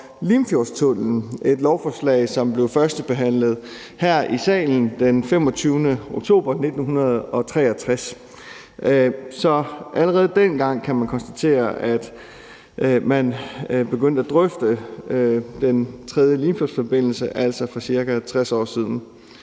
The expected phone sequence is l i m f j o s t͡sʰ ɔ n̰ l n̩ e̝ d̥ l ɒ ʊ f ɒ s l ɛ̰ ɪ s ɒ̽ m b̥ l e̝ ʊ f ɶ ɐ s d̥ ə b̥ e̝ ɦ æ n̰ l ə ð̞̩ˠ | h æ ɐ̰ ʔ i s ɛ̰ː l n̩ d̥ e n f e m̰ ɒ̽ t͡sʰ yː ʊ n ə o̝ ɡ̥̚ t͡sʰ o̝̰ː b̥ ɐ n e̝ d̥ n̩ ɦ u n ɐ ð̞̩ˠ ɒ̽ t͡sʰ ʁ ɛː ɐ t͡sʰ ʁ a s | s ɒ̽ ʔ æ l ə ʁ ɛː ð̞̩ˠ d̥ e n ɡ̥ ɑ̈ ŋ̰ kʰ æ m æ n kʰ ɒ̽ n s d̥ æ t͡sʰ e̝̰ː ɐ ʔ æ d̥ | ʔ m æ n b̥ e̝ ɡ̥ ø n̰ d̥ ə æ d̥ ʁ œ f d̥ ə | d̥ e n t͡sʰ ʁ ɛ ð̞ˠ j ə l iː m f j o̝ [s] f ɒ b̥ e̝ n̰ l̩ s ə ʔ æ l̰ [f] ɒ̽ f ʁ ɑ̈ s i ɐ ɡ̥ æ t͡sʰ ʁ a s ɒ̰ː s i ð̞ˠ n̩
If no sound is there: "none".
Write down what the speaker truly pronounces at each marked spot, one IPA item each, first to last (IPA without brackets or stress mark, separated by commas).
s, s